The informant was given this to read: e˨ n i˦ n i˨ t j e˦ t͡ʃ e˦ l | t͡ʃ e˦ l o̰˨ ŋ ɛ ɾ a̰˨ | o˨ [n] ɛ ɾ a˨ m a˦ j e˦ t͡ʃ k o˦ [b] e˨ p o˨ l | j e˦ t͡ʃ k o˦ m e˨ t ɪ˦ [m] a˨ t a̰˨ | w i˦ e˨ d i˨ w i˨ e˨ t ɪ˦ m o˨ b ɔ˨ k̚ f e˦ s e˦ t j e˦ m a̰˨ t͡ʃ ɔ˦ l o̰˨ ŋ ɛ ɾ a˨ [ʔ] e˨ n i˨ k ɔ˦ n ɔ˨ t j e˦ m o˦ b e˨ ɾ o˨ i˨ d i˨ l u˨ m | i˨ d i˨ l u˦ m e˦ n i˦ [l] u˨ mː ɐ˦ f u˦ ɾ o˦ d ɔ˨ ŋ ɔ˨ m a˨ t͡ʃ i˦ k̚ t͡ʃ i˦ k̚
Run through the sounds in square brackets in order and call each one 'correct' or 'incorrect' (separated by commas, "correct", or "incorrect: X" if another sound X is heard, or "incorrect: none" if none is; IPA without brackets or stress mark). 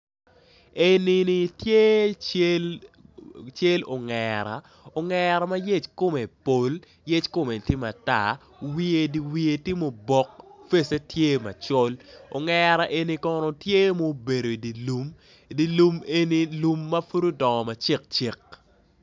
incorrect: ŋ, incorrect: m, correct, correct, correct